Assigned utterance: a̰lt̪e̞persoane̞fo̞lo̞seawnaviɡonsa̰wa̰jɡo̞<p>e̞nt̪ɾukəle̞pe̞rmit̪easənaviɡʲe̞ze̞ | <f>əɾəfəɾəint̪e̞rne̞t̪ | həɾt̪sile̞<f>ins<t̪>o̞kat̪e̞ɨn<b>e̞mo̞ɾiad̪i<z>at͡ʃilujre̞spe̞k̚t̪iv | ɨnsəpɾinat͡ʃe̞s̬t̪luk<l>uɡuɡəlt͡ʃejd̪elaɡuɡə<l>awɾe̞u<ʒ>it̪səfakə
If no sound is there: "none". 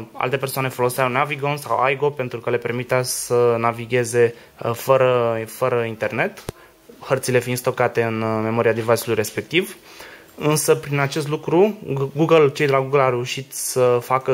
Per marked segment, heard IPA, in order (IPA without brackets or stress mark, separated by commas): p, f, f, t̪, m, v, ɾ, l, ʃ